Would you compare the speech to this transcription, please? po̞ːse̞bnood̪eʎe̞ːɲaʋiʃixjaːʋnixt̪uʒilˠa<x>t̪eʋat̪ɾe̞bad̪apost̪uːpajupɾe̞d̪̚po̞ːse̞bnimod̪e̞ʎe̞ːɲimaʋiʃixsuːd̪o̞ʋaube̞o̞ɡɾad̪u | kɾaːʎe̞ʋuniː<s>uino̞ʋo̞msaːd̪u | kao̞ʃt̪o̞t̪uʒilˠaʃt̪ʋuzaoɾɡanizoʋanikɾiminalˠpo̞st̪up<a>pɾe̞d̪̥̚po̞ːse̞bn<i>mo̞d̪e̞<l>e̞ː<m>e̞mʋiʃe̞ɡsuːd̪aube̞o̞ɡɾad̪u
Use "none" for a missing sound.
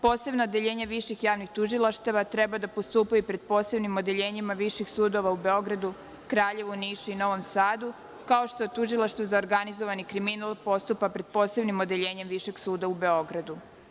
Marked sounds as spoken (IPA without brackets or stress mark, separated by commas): ʃ, ʃ, a, i, ʎ, ɲ